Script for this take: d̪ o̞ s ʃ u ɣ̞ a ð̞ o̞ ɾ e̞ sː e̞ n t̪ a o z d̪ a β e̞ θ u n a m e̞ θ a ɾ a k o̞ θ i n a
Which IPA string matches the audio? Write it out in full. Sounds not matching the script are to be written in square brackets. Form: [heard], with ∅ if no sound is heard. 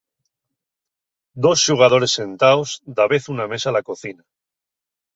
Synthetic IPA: d̪ o̞ s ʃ u ɣ̞ a ð̞ o̞ ɾ e̞ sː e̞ n t̪ a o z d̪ a β e̞ θ u n a m e̞ [s] a [l] a k o̞ θ i n a